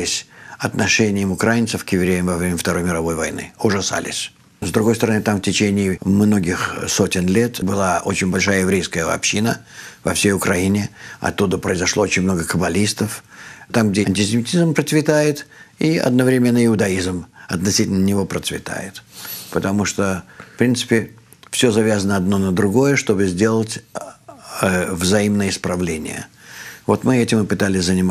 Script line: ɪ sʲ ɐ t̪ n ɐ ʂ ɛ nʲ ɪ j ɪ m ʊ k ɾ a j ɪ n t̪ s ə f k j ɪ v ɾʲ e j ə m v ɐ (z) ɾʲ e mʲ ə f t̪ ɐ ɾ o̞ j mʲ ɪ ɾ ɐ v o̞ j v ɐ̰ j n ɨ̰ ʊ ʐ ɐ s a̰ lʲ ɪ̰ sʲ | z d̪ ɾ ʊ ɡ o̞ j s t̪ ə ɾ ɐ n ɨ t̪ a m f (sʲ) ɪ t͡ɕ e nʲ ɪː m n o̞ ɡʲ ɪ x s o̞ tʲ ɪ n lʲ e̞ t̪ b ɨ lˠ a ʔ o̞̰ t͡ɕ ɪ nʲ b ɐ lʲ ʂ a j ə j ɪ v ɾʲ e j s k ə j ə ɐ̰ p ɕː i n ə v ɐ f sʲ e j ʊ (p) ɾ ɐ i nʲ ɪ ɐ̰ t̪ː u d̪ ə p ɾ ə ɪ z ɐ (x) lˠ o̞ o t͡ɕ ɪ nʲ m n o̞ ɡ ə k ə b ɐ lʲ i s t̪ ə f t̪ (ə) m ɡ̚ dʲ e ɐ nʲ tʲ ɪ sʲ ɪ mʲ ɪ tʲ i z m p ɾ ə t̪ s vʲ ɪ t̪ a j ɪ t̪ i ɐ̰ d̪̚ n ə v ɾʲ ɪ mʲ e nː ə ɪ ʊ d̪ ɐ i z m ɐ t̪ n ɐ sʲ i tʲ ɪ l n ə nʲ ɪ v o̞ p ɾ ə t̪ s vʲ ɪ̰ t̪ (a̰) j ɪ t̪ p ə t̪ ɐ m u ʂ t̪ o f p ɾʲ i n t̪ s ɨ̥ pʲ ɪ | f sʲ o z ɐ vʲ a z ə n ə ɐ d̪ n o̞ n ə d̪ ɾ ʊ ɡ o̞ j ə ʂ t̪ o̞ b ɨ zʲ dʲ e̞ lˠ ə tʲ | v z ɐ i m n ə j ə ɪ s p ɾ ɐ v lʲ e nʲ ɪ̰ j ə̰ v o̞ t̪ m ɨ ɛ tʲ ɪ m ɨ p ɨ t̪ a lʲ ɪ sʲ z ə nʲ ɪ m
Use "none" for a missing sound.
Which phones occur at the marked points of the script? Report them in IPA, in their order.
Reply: v, tʲ, k, ʂ, a, a̰

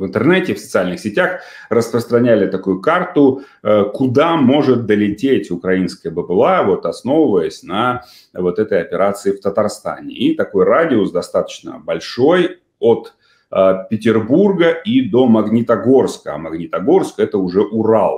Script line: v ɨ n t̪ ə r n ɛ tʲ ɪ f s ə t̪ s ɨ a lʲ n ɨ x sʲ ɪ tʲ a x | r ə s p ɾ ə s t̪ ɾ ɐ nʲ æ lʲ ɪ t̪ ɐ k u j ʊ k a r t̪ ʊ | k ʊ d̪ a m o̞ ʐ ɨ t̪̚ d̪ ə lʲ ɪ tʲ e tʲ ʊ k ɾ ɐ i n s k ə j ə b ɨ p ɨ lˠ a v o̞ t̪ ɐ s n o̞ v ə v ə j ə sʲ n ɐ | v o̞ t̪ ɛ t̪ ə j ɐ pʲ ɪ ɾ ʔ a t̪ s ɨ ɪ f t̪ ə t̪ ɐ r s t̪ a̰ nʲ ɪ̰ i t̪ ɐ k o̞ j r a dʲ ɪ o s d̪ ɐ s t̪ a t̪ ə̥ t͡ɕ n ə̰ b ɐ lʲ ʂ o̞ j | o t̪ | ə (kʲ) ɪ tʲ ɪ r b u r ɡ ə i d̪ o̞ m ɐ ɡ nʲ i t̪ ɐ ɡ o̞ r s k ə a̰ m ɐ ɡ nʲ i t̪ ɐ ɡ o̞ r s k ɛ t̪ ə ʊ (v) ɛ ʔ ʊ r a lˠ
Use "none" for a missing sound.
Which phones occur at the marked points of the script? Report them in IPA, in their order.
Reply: pʲ, ʐ

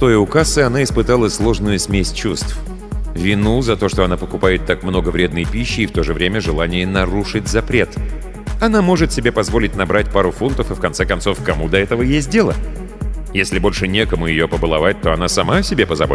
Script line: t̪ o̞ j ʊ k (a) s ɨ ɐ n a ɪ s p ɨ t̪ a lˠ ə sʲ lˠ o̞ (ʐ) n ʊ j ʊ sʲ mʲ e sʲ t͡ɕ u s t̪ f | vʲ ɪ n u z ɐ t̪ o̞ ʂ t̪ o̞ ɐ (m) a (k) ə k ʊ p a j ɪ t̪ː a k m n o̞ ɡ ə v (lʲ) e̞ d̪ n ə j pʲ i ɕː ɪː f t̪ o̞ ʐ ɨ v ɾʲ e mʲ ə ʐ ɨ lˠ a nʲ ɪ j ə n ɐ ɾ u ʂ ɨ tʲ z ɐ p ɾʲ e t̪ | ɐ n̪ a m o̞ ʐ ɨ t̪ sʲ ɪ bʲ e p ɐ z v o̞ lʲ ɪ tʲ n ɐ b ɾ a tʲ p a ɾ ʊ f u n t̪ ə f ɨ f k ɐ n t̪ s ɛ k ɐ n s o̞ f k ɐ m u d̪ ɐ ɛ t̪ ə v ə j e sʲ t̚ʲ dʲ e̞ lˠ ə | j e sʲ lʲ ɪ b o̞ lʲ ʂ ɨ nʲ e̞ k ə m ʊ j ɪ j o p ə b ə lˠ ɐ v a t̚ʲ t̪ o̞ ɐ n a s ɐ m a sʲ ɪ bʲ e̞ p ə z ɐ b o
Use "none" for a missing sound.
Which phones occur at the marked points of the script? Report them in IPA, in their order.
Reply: a, ʐ, n, p, ɾʲ

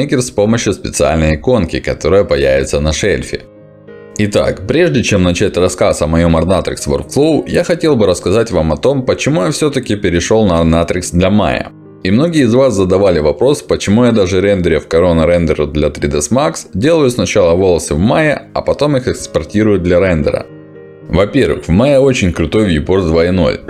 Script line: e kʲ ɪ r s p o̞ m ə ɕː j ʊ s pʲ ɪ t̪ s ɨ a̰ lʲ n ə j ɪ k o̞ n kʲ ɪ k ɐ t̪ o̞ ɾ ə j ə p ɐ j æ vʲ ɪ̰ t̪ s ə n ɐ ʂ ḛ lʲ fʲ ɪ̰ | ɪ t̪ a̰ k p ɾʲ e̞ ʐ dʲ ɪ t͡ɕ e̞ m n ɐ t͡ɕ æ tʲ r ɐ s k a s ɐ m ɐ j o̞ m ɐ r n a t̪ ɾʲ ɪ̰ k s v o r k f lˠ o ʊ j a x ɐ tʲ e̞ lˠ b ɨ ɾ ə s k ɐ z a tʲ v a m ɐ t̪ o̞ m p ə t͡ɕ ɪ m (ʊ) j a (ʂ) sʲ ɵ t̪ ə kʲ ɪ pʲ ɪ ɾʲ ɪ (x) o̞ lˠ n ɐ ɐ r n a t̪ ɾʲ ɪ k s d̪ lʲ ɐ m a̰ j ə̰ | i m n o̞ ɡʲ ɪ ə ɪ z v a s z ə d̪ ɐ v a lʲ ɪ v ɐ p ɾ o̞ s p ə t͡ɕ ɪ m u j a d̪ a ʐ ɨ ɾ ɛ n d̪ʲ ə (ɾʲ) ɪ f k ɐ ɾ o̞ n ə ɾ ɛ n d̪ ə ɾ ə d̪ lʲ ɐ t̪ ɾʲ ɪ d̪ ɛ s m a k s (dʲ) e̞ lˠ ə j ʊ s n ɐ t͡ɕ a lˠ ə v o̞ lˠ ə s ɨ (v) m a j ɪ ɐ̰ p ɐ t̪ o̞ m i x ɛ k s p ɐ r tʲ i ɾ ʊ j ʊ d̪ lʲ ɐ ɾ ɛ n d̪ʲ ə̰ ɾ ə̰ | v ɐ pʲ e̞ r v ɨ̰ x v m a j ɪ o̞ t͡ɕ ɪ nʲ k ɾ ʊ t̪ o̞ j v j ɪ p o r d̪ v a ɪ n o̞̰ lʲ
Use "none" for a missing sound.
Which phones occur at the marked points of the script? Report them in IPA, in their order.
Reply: u, f, ʂ, ɾʲ, dʲ, v

